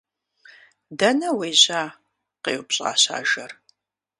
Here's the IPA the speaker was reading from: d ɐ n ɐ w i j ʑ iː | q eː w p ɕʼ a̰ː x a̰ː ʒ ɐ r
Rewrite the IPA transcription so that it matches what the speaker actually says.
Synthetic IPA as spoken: d ɐ n ɐ w e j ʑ aː | q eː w p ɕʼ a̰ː ɕ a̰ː ʒ ɐ r